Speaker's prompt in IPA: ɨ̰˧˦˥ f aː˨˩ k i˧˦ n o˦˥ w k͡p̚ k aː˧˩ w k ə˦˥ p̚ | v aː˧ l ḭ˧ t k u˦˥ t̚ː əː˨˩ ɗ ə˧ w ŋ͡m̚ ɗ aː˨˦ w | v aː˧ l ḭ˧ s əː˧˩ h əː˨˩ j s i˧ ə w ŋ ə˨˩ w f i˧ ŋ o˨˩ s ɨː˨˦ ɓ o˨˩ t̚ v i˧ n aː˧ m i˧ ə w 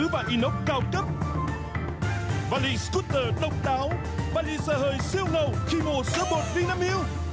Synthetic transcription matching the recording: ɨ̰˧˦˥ v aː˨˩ ʔ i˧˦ n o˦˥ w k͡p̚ k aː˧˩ w k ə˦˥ p̚ | v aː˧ l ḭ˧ s k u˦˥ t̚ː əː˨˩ ɗ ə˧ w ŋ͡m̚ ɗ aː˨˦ w | v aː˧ l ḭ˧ s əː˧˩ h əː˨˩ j s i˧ ə w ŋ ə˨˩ w x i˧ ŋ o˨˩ s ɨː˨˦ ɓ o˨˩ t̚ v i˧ n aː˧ m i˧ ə w